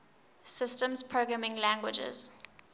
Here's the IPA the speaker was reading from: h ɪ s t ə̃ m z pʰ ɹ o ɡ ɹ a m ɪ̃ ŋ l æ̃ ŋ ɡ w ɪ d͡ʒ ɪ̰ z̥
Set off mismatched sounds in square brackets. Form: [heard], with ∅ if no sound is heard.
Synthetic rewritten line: [s] ɪ s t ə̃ m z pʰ ɹ o ɡ ɹ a m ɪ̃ ŋ l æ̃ ŋ ɡ w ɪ d͡ʒ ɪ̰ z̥